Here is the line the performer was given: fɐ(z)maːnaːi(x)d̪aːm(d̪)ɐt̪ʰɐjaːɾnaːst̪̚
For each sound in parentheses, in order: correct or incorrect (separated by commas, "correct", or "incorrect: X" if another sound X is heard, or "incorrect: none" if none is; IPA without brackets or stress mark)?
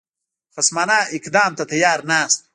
incorrect: s, incorrect: k, incorrect: t̪